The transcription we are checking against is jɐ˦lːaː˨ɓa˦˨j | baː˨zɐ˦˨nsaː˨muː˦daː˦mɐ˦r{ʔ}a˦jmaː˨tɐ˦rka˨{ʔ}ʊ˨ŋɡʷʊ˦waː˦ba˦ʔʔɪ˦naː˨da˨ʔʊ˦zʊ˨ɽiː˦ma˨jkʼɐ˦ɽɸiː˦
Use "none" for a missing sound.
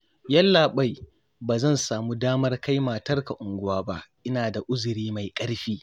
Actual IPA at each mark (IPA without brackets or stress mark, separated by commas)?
k, ʔ